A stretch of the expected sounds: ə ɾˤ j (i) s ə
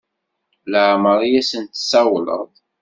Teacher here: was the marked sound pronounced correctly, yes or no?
no